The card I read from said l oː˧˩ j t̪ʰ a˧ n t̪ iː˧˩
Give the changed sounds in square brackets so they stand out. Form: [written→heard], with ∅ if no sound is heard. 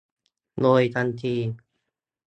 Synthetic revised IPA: l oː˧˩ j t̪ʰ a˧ n [t̪→t̪ʰ] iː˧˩